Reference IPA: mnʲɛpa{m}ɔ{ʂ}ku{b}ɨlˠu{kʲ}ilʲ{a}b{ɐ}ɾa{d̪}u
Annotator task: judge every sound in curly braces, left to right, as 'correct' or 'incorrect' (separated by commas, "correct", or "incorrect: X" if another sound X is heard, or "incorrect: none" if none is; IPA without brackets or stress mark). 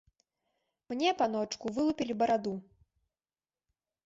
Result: incorrect: n, incorrect: t͡ʂ, incorrect: v, incorrect: pʲ, incorrect: i, correct, correct